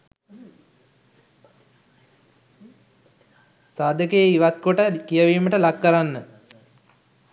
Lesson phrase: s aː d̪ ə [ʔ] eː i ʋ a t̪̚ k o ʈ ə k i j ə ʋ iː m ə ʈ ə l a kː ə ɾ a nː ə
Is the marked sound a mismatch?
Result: yes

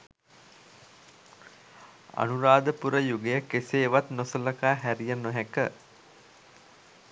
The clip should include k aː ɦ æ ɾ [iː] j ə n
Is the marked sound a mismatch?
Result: yes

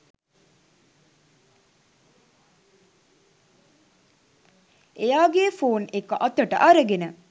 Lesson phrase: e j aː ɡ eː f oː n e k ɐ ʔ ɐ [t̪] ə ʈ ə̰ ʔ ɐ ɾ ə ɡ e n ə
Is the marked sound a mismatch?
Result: no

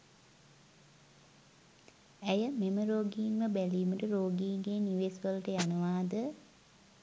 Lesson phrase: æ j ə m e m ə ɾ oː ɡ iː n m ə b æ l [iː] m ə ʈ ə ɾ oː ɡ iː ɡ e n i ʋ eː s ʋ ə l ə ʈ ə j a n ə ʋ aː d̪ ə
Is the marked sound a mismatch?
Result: no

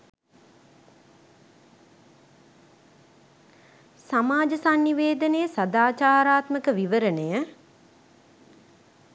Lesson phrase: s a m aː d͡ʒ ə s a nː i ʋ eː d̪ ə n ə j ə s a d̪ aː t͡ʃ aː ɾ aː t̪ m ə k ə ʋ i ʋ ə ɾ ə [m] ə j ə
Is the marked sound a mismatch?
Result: yes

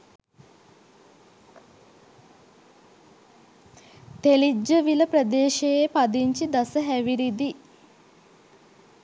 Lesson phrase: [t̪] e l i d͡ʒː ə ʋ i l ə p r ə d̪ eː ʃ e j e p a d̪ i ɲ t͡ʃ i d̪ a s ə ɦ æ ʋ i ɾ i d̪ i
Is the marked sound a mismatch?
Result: no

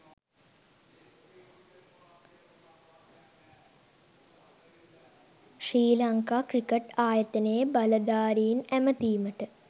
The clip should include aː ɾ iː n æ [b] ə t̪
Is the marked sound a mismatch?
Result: yes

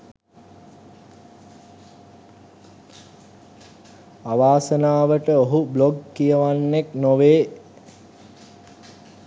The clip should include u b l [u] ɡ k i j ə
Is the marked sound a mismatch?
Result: yes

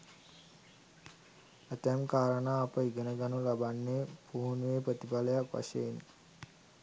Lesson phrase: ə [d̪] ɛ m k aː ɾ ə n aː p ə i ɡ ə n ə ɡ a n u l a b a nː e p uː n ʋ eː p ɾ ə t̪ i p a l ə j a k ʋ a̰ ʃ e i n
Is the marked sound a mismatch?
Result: yes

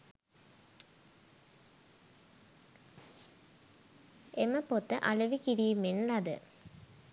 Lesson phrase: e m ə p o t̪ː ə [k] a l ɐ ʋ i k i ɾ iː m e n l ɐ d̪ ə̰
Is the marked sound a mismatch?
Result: yes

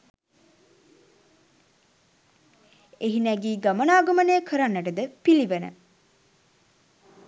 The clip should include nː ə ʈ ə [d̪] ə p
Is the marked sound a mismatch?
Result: no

